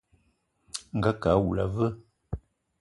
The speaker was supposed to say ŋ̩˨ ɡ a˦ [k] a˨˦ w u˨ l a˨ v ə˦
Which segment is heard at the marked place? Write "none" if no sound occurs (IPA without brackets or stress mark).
k